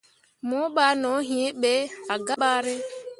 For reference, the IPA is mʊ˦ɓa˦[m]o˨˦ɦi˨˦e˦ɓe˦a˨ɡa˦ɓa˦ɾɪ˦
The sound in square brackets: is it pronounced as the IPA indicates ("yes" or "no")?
no